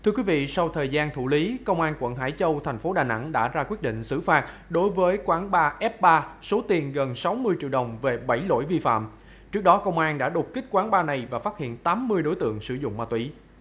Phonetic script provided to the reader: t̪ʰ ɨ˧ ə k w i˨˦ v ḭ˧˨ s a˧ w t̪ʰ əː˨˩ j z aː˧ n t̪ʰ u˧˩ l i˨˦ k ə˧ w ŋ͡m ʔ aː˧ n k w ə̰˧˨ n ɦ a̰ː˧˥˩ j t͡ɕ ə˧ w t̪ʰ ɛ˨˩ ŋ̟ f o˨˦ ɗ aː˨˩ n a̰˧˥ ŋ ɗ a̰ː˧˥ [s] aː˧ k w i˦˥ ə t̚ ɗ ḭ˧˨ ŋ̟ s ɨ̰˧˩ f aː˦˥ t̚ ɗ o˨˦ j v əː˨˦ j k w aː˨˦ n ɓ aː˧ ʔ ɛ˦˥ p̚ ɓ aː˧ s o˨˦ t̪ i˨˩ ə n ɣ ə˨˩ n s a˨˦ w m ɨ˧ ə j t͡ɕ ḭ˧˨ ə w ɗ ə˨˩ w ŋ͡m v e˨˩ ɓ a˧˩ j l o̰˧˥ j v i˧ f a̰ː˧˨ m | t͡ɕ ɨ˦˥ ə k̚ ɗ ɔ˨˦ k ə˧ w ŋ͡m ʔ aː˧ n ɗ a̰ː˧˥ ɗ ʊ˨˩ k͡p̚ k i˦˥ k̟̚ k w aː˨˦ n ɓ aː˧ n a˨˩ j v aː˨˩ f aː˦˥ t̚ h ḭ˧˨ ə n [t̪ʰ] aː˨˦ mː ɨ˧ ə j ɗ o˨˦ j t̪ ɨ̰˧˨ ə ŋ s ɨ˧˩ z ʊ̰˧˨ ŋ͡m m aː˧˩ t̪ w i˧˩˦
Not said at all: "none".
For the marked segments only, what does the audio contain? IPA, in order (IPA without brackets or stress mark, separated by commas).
z, t̪